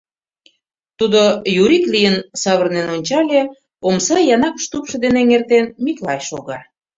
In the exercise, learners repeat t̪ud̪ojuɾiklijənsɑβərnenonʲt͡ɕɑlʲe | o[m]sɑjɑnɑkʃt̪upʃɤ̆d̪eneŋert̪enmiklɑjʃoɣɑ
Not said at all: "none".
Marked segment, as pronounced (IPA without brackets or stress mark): m